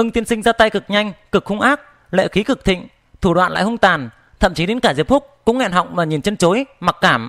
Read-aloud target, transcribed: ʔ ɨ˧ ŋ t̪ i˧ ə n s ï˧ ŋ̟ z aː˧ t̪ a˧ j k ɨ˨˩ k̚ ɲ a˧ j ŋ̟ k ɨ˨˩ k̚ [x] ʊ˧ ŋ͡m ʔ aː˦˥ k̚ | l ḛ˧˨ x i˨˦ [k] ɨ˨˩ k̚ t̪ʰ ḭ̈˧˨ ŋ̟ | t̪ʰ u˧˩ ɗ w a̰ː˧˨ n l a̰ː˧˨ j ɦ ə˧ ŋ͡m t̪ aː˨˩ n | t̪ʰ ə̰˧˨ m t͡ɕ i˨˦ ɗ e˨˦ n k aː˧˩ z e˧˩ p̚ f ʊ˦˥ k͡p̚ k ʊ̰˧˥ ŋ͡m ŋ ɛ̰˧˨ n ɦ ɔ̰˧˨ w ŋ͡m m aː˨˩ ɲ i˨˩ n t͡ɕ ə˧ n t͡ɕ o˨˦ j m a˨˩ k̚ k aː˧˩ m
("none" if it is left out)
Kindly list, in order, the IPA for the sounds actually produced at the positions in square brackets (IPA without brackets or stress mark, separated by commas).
x, k